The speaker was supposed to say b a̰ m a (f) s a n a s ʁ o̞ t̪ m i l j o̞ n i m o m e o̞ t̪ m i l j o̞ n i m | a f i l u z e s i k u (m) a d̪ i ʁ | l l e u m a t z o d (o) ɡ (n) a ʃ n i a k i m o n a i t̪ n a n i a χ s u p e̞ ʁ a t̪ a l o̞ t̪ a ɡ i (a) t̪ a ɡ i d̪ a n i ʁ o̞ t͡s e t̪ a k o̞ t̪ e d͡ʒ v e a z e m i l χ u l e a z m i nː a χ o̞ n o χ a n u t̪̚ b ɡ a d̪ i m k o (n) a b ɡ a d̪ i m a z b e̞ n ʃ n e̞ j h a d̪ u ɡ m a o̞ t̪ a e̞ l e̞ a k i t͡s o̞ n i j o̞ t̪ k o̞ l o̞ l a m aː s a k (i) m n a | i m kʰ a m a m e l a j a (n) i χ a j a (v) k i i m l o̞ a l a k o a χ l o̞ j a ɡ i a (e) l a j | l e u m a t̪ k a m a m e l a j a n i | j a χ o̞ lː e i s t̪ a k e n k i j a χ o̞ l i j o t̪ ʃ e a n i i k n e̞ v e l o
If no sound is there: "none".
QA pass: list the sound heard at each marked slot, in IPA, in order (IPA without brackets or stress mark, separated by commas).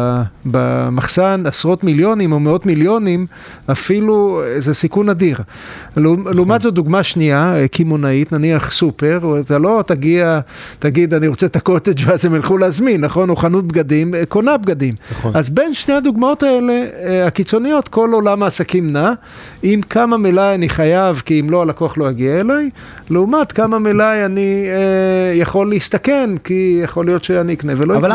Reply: χ, n, u, m, a, n, i, n, v, e